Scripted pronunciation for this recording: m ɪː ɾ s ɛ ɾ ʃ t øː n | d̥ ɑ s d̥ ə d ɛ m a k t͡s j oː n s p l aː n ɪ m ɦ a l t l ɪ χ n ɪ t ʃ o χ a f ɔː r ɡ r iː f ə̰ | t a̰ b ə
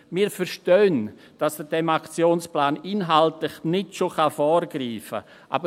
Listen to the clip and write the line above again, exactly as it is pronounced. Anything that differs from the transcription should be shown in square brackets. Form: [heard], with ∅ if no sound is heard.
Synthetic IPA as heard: m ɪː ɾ [f] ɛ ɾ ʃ t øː n | d̥ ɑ s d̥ ə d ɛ m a k t͡s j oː n s p l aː n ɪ [n] ɦ a l t l ɪ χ n ɪ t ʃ o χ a f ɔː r ɡ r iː f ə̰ | [ʔ] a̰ b ə

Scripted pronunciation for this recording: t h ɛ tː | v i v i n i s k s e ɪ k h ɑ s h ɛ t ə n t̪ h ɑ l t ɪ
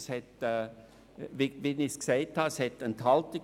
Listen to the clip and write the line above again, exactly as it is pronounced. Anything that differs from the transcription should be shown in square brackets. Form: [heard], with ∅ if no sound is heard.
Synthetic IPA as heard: [s] h ɛ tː | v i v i n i s k s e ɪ [t] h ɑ s h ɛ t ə n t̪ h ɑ l t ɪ

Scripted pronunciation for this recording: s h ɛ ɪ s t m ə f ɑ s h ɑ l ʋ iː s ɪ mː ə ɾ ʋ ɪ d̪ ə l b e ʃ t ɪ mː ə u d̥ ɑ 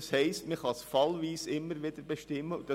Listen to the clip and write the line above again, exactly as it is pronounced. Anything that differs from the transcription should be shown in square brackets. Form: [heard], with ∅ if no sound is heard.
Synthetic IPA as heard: s h ɛ ɪ s t m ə [χ] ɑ s [f] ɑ l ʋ iː s ɪ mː ə ɾ ʋ ɪ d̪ ə [ɾ] b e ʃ t ɪ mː ə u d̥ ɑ

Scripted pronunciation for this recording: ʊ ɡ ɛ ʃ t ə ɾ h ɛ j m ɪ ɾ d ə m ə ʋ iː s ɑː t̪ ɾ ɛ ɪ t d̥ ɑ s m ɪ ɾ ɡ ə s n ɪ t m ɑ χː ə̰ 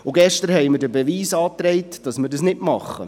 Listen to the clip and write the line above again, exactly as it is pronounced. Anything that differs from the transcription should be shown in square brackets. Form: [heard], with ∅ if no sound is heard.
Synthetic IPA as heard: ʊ ɡ ɛ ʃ t ə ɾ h ɛ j m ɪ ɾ d ə [b] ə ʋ iː s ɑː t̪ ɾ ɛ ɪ t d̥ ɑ s m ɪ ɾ [d] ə s n ɪ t m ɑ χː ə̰

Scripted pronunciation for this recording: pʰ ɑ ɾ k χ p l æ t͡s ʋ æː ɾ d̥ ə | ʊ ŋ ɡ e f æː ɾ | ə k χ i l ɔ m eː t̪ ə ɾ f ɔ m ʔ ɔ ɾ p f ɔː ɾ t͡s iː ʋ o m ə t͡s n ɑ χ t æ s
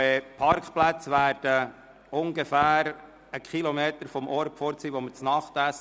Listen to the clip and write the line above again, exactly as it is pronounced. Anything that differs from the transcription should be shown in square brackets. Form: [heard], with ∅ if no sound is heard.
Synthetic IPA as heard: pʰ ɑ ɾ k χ p l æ t͡s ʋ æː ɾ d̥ ə | ʊ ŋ ɡ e f æː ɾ | ə k χ i l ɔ m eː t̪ ə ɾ f ɔ m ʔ ɔ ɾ p f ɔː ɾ t͡s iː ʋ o m ə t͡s n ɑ χ t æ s

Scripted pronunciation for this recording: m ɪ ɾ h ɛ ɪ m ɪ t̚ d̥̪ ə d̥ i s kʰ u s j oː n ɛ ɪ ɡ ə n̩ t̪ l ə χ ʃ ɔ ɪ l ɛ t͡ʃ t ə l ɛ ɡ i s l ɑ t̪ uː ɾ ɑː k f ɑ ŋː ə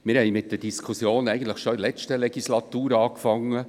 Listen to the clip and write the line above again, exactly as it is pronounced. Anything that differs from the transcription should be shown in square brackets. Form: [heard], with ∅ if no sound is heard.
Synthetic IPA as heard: m ɪ ɾ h ɛ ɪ m ɪ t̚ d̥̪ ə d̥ i s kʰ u s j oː n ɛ ɪ ɡ ə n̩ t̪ l ə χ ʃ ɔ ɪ l ɛ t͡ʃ t ə l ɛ ɡ i s l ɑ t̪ uː ɾ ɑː k f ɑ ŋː ə

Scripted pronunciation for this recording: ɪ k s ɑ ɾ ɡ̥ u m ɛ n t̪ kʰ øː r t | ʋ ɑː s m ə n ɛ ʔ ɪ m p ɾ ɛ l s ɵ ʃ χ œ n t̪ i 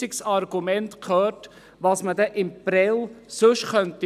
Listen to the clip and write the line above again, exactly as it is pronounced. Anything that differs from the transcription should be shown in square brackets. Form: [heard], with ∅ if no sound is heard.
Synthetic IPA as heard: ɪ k s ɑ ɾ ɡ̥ u m ɛ n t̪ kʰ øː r t | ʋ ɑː s m ə [d] ɛ ʔ ɪ m p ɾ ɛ l s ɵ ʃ χ œ n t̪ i

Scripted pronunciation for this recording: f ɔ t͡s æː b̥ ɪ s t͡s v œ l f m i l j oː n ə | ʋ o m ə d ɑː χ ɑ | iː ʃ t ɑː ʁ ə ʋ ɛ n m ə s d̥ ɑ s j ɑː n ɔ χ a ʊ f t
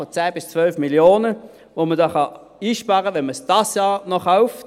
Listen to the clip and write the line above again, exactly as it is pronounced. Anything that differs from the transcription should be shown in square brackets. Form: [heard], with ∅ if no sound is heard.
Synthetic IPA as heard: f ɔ t͡s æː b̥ ɪ s t͡s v œ l f m i l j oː n ə | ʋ o m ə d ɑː χ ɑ | iː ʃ [p] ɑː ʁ ə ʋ ɛ n m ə s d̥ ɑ s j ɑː n ɔ χ a ʊ f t

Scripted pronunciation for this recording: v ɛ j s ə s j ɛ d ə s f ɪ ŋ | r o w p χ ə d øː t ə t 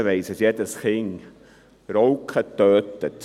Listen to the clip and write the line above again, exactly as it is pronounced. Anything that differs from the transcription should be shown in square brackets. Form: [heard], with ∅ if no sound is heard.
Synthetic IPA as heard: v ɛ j s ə s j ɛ [t] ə s [χ] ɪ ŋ | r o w [k] χ ə [t] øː t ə t

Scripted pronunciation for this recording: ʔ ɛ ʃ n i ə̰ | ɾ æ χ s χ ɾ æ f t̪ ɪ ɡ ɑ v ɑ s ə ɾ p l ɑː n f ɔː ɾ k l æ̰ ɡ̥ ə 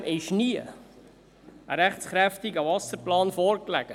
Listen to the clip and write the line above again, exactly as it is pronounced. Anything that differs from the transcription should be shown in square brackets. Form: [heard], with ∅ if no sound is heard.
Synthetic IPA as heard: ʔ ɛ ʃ n i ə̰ | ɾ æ χ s χ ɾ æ f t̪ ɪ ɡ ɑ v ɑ s ə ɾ p l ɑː n f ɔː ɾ k l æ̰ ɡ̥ ə

